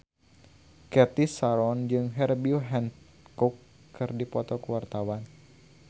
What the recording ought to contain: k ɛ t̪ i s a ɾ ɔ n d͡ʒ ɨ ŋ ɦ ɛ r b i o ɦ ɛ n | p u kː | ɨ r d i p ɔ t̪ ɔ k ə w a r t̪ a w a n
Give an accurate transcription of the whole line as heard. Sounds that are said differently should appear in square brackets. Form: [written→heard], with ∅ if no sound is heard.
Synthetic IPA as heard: k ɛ t̪ i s a ɾ ɔ n d͡ʒ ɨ ŋ ɦ ɛ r b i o ɦ ɛ n | [p→k] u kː | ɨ r d i p ɔ t̪ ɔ k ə w a r t̪ a w a n